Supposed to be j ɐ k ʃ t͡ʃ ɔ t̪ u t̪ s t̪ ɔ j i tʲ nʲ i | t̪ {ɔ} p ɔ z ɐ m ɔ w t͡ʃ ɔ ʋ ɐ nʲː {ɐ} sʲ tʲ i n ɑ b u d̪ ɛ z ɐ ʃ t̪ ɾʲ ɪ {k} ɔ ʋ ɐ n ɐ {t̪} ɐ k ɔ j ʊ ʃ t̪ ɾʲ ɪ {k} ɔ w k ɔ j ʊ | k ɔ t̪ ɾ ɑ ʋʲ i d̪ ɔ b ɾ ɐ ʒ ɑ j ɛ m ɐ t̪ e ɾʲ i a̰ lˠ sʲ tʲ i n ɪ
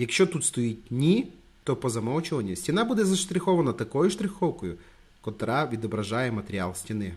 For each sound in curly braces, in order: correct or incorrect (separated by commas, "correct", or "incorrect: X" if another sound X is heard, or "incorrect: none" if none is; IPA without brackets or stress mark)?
correct, correct, incorrect: x, correct, incorrect: x